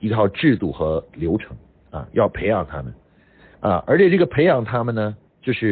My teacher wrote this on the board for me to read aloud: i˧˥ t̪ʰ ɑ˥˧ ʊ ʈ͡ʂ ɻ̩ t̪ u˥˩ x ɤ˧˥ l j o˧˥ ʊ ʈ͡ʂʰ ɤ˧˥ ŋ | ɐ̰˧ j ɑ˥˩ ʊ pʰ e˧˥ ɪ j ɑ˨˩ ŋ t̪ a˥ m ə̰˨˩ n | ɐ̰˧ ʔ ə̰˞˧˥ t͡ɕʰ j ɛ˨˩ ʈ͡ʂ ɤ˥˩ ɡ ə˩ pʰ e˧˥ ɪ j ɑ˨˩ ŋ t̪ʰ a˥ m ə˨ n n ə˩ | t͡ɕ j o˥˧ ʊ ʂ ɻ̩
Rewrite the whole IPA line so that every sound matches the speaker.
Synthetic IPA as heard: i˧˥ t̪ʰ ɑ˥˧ ʊ ʈ͡ʂ ɻ̩ t̪ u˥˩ x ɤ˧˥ l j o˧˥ ʊ ʈ͡ʂʰ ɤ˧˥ ŋ | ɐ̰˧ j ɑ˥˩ ʊ pʰ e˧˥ ɪ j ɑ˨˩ ŋ t̪ʰ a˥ m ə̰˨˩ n | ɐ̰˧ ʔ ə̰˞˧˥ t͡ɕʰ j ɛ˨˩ ʈ͡ʂ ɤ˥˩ ɡ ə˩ pʰ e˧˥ ɪ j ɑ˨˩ ŋ t̪ʰ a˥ m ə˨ n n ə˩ | t͡ɕ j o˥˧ ʊ ʂ ɻ̩